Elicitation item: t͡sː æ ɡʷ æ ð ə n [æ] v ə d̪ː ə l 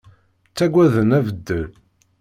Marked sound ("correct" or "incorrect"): correct